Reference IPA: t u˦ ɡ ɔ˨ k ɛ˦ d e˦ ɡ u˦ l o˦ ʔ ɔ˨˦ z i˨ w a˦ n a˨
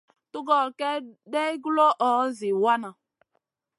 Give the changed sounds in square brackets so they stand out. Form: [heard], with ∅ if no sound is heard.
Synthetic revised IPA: t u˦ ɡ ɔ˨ k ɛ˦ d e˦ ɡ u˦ l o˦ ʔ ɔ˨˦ z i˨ w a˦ n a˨